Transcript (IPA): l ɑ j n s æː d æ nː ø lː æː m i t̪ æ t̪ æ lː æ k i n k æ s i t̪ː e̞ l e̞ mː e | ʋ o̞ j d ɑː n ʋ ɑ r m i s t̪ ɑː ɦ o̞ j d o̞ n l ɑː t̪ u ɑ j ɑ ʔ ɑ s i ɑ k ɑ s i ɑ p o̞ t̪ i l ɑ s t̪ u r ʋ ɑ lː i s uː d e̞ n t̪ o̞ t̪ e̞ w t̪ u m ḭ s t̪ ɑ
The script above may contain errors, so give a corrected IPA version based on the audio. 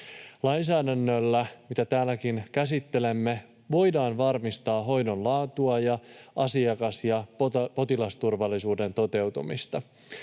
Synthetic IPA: l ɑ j n s æː d æ nː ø lː æ m i t̪ æ t̪ æː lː æ k i n k æ s i t̪ː e̞ l e̞ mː e | ʋ o̞ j d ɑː n ʋ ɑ r m i s t̪ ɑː ɦ o̞ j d o̞ n l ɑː t̪ u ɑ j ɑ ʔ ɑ s i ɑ k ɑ s j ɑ p o̞ t̪ i l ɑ s t̪ u r ʋ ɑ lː i s uː d e̞ n t̪ o̞ t̪ e̞ w t̪ u m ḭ s t̪ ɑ